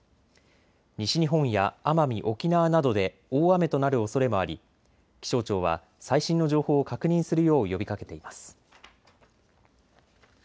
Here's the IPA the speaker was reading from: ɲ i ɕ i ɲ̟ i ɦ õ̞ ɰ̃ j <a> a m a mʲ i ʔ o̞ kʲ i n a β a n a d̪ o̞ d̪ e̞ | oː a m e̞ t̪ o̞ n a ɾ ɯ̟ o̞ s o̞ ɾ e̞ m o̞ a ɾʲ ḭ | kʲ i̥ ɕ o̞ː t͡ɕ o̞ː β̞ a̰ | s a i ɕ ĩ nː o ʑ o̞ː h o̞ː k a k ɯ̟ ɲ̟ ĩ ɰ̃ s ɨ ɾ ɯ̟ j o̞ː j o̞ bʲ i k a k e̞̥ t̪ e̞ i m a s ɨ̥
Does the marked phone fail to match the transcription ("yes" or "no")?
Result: no